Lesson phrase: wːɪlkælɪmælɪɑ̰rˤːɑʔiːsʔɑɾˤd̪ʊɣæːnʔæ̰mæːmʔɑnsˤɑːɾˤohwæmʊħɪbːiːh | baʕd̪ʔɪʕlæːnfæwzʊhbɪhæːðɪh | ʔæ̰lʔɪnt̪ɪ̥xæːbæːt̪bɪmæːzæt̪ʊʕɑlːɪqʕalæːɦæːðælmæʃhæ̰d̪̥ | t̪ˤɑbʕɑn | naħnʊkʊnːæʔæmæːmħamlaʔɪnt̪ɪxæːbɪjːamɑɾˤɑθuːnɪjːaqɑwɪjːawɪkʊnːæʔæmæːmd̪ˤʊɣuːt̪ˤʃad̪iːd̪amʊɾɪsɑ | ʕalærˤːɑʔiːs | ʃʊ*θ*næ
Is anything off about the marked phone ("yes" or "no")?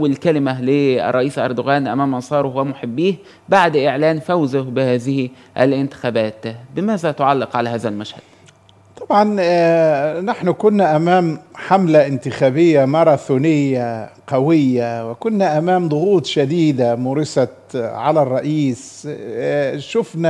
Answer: yes